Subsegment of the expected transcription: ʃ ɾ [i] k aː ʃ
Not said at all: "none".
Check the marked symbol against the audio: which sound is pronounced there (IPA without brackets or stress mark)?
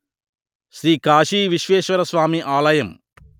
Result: iː